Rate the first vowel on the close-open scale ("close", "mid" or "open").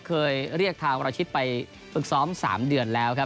mid